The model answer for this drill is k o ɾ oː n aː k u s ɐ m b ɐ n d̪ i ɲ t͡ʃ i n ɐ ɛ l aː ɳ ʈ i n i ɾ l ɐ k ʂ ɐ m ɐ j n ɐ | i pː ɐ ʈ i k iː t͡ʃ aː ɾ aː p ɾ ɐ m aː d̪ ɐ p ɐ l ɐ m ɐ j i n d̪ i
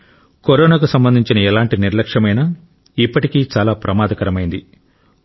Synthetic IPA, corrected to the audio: k o ɾ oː n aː k u s ɐ m b ɐ n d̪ i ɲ t͡ʃ i n ɐ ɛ l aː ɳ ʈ i n i ɾ l ɐ k ʂ ɐ m ɐ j n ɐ | i pː ɐ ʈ i k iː t͡ʃ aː l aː p ɾ ɐ m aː d̪ ɐ k ɐ ɾ ɐ m ɐ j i n d̪ i

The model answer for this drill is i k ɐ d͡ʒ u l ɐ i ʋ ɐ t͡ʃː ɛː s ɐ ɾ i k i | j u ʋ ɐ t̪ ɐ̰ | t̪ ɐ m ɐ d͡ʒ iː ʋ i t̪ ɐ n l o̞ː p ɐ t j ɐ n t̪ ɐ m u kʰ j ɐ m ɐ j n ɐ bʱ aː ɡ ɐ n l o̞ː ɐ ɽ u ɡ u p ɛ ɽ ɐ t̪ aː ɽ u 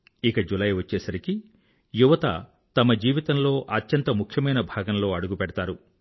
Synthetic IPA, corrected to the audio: i k ɐ d͡ʒ u l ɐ j ʋ ɐ t͡ʃː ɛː s ɐ ɾ i k i | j u ʋ ɐ t̪ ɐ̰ | t̪ ɐ m ɐ d͡ʒ iː ʋ i t̪ ɐ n l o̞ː ʔ ɐ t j ɐ n t̪ ɐ m u kʰ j ɐ m ɐ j n ɐ bʱ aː ɡ ɐ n l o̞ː ɐ ɽ u ɡ u p ɛ ɽ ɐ t̪ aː ɾ u

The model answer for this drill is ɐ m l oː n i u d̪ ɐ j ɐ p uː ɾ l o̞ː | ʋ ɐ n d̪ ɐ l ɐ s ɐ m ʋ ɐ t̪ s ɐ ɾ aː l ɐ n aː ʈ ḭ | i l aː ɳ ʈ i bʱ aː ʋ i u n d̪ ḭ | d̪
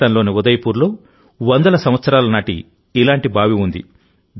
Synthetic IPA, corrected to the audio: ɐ n l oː n i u d̪ ɐ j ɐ p uː ɾ l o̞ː | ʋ ɐ n d̪ ɐ l ɐ s ɐ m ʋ ɐ t̪ s ɐ ɾ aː l ɐ n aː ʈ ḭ | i l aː ɳ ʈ i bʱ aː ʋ i u n d̪ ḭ | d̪

